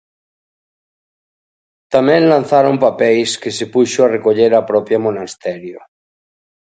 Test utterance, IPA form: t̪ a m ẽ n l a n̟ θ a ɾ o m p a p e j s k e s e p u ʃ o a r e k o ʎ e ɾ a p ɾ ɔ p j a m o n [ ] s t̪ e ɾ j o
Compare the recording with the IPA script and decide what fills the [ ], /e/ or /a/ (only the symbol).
a